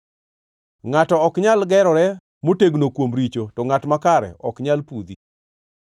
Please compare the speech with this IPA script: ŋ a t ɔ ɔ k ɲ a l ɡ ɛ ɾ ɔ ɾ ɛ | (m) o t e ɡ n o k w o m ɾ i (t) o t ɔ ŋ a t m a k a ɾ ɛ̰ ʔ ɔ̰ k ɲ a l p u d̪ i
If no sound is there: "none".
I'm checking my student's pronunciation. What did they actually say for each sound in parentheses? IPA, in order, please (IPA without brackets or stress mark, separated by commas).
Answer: m, t͡ʃ